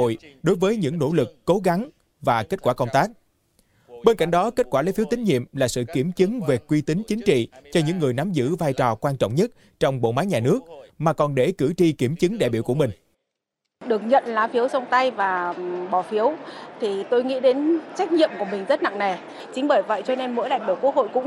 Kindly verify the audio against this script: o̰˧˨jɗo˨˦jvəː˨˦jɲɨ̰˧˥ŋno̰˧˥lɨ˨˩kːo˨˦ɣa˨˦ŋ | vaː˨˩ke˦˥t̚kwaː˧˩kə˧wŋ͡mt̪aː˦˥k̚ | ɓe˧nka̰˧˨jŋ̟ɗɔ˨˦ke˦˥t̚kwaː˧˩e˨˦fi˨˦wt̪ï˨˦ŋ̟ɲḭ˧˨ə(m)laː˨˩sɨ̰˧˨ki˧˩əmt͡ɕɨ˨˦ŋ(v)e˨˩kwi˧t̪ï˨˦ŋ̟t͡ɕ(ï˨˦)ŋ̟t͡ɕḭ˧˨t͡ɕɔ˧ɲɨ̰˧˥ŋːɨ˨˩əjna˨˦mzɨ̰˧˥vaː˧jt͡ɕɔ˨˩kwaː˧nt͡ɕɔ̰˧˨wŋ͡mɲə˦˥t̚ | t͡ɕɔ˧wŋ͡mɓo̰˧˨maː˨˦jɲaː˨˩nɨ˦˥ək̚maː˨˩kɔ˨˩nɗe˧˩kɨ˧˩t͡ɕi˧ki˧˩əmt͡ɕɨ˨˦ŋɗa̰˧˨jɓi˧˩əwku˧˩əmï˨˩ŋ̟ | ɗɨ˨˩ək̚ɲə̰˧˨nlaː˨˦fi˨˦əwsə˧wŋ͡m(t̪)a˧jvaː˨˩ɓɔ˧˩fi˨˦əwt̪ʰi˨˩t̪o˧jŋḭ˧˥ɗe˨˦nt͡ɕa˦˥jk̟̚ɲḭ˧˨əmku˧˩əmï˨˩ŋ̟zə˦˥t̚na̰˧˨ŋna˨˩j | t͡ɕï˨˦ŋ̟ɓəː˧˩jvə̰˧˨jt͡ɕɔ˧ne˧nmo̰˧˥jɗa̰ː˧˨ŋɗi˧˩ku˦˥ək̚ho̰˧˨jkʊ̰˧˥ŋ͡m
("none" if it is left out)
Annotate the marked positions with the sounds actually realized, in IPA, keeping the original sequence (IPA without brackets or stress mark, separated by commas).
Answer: m, v, ï˨˦, t̪